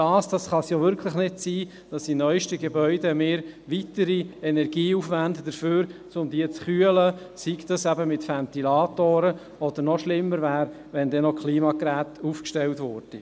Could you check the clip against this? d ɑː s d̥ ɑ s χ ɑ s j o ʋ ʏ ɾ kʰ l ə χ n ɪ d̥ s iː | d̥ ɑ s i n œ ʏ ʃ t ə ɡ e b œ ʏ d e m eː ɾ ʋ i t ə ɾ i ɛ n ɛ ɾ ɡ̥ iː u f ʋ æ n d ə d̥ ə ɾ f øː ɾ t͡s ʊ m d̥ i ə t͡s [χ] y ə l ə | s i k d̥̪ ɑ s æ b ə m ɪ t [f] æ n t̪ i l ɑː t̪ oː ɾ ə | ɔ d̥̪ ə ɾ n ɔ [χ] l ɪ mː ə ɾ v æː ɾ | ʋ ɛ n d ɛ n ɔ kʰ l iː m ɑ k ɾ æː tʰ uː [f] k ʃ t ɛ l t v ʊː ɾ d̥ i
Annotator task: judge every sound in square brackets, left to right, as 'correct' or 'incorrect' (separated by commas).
correct, correct, incorrect, correct